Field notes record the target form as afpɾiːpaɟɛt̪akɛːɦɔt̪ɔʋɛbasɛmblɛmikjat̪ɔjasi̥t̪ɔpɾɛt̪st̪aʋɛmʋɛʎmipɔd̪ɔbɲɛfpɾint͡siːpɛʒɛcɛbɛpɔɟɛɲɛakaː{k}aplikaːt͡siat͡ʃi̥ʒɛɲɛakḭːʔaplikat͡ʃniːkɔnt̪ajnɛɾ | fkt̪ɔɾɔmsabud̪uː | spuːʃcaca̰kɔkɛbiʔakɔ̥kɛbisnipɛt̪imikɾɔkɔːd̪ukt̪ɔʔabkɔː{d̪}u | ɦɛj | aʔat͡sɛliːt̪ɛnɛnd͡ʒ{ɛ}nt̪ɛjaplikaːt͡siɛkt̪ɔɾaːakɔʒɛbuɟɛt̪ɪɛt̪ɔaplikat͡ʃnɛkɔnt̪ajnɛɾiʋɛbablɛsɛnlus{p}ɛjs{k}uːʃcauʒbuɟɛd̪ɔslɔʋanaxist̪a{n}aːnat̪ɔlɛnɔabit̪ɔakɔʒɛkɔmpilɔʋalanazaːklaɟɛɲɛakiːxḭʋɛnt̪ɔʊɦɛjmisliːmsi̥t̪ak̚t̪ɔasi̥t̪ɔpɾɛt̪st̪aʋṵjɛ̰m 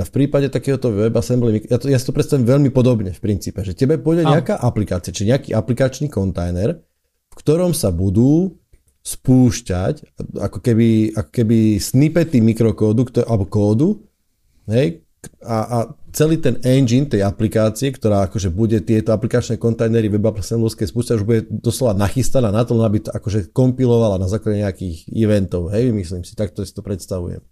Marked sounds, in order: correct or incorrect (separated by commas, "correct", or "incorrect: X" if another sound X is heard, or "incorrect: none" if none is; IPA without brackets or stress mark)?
incorrect: ʔ, correct, incorrect: i, incorrect: k, incorrect: p, correct